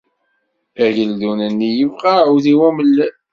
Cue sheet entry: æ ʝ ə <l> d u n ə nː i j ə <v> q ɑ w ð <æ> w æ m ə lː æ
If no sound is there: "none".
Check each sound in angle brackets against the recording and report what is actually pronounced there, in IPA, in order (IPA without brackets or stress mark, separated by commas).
l, v, i